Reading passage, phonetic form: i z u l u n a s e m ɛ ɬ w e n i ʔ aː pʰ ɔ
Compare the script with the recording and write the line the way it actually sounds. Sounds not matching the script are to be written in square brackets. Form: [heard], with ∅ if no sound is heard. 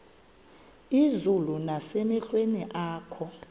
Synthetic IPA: i z u l u n a s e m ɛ ɬ w e n i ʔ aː [kʰ] ɔ